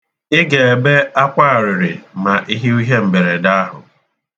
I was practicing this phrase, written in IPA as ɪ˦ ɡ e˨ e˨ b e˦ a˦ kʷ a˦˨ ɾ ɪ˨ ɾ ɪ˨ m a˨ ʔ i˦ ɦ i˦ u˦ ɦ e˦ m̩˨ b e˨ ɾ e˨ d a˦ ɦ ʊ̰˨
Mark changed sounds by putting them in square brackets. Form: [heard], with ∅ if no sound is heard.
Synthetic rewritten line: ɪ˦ ɡ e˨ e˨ b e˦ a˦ kʷ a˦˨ ɾ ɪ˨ ɾ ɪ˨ m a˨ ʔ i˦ ɦ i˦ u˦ ɦ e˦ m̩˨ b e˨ ɾ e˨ d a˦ ɦ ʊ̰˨